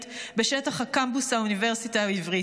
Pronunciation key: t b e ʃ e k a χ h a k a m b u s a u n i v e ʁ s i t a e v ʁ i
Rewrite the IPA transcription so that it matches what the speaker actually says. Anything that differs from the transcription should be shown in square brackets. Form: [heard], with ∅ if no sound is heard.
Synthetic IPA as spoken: t b e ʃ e [t] a χ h a k a m b u s a u n i v e ʁ s i t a [i] v ʁ i